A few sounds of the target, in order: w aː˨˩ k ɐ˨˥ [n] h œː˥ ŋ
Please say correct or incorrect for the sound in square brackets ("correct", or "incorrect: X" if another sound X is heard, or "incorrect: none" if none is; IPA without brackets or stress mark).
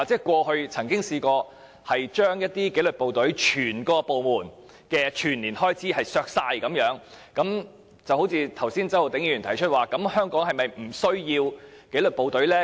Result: incorrect: m